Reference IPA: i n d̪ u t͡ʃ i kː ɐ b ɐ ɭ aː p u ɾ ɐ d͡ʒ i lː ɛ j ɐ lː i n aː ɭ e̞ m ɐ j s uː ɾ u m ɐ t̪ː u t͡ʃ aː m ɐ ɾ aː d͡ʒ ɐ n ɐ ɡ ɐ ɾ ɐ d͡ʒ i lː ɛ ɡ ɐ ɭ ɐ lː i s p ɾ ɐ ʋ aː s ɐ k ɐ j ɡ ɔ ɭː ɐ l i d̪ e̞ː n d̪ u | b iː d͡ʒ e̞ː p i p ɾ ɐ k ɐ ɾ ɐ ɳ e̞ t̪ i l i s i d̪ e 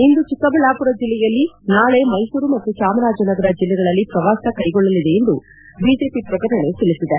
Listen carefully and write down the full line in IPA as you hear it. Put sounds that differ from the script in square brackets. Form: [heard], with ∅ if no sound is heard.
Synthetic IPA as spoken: i n d̪ u t͡ʃ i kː ɐ b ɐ ɭ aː p u ɾ ɐ d͡ʒ i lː ɛ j ɐ lː i n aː ɭ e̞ m ɐ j s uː ɾ u m ɐ t̪ː u t͡ʃ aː m ɐ ɾ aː d͡ʒ ɐ n ɐ ɡ ɐ ɾ ɐ d͡ʒ i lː ɛ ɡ ɐ ɭ ɐ lː i [∅] p ɾ ɐ ʋ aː s ɐ k ɐ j ɡ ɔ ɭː ɐ l i d̪ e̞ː n d̪ u | b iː d͡ʒ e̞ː p i p ɾ ɐ k ɐ ɾ ɐ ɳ e̞ t̪ i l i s i d̪ e

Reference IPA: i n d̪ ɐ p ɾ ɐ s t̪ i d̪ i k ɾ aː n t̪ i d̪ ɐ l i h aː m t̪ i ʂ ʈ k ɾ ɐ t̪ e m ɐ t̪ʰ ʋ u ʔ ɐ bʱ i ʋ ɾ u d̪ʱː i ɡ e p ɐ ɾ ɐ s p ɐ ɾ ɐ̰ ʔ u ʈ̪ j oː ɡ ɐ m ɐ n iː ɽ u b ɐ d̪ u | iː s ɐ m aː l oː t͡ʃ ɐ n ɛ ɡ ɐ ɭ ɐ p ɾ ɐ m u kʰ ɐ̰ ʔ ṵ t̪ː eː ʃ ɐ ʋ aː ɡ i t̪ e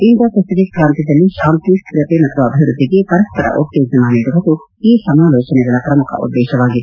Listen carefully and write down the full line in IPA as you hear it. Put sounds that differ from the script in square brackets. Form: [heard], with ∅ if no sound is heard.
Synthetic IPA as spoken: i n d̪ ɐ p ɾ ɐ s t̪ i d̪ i k ɾ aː n t̪ i d̪ ɐ [lː] i [ʃ] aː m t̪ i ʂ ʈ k ɾ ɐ t̪ e m ɐ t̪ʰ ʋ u [∅] ɐ bʱ i ʋ ɾ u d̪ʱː i ɡ e p ɐ ɾ ɐ s p ɐ ɾ ɐ̰ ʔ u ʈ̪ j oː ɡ ɐ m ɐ n iː ɽ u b ɐ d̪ u | iː s ɐ m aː l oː t͡ʃ ɐ n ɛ ɡ ɐ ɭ ɐ p ɾ ɐ m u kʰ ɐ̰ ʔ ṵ [d̪ː] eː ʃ ɐ ʋ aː ɡ i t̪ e

